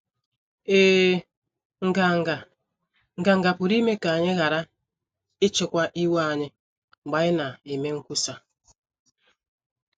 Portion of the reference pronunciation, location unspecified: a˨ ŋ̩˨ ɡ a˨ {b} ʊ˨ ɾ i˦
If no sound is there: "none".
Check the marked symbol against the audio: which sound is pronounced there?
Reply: p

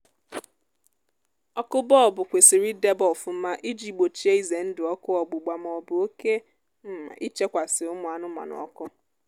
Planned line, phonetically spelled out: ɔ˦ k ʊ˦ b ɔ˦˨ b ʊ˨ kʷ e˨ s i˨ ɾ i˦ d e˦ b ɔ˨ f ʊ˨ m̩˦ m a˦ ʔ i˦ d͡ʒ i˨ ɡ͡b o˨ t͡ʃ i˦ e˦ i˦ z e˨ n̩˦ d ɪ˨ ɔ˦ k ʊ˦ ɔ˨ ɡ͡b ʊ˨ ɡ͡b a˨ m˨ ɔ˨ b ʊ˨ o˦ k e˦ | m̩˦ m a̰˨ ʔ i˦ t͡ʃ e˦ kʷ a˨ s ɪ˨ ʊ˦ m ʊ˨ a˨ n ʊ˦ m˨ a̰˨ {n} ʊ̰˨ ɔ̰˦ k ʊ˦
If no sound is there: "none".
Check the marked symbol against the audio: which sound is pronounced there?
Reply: n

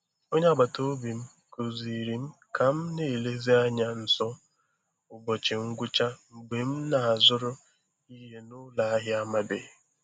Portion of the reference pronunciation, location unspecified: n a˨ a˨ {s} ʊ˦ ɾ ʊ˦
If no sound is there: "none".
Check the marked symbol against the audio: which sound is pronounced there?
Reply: z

